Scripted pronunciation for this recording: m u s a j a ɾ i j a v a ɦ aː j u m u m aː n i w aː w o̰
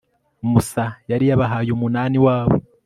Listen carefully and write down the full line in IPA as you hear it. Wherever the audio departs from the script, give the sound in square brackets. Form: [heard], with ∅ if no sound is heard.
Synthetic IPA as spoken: m u s a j a ɾ i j a [β] a ɦ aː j u m u [n] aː n i w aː [β] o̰